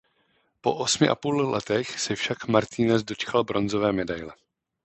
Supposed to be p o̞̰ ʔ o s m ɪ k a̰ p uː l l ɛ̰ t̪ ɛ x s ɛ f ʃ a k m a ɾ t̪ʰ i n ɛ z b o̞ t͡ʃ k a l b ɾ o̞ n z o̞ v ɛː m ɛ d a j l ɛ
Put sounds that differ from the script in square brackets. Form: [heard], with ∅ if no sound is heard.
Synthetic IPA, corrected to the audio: p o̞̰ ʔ o s m ɪ [ʔ] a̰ p uː l l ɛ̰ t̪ ɛ x s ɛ f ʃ a k m a ɾ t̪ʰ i n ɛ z [d] o̞ t͡ʃ k a l b ɾ o̞ n z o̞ v ɛː m ɛ d a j l ɛ